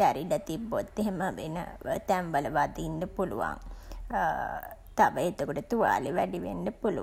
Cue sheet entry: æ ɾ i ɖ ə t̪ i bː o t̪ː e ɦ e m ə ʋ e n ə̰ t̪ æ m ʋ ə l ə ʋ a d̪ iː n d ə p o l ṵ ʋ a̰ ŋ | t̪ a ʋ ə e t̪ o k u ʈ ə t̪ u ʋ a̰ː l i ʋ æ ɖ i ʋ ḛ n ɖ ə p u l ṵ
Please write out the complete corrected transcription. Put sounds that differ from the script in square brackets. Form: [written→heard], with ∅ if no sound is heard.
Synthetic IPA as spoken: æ ɾ i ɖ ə t̪ i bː o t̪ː e ɦ e m ə ʋ e n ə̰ t̪ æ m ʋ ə l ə ʋ a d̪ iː n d ə p [o→u] l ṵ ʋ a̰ ŋ | t̪ a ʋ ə e t̪ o k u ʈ ə t̪ u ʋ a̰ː l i ʋ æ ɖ i ʋ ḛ n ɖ ə p u l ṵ